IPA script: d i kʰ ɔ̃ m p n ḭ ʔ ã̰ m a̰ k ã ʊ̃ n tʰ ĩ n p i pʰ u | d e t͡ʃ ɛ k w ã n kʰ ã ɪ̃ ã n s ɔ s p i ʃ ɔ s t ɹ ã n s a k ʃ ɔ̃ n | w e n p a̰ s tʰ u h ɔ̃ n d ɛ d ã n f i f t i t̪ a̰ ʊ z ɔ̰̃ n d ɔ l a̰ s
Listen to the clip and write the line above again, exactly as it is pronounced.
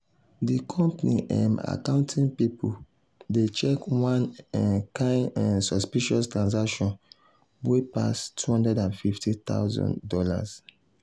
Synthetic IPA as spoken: d i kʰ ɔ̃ m p n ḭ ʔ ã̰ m a̰ k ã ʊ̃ n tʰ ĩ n p i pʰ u | d e t͡ʃ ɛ k w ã n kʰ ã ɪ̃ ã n s ɔ s p i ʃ ɔ s t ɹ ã n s a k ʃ ɔ̃ n | w e p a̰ s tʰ u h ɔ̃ n d ɛ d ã n f i f t i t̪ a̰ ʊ z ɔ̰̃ n d ɔ l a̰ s